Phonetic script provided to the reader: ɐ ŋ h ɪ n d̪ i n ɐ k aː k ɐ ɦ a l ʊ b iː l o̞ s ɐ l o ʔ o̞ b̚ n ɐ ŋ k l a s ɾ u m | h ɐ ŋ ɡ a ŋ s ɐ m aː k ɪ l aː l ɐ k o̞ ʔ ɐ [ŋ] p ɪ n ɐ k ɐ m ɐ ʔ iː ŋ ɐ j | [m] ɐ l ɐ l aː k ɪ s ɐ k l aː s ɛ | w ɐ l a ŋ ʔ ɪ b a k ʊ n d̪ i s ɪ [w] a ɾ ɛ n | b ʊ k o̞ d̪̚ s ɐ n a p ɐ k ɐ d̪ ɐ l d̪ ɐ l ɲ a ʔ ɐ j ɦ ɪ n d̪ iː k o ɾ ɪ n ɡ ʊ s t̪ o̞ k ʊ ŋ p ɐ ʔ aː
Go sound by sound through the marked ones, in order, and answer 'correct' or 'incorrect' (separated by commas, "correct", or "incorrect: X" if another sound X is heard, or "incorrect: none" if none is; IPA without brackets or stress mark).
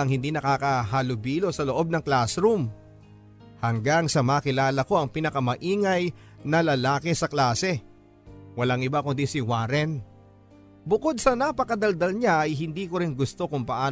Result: correct, incorrect: n, correct